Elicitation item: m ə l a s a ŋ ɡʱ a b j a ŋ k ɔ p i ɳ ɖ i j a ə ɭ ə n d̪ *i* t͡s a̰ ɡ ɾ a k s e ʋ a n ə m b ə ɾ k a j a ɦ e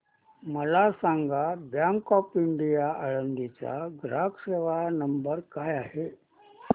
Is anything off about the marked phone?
no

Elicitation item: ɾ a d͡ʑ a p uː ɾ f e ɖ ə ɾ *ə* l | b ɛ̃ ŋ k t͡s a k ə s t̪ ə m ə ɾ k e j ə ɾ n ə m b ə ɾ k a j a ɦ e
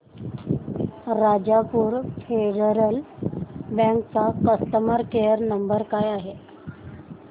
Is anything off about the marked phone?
no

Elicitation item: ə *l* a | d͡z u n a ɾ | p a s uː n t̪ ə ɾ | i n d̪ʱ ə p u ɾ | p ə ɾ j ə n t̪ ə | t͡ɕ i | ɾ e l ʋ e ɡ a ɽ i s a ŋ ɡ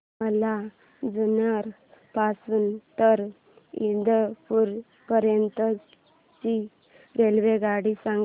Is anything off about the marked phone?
no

